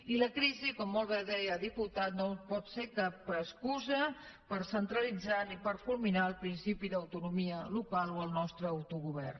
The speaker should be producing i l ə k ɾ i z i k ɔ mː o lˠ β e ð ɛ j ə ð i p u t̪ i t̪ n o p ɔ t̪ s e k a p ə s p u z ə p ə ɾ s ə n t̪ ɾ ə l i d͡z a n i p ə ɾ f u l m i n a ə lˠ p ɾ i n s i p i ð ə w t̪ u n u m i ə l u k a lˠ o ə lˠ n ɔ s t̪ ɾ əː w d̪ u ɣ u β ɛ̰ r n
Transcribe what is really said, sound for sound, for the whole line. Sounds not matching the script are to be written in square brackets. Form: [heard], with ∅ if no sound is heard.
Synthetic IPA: i l ə k ɾ i z i k ɔ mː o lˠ β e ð ɛ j ə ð i p u t̪ [a] t̪ n o p ɔ t̪ s e k a p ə s [k] u z ə p ə ɾ s ə n t̪ ɾ ə l i d͡z a n i p ə ɾ f u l m i n a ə lˠ p ɾ i n s i p i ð ə w t̪ u n u m i ə l u k a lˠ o ə lˠ n ɔ s t̪ ɾ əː w [t̪] u ɣ u β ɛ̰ r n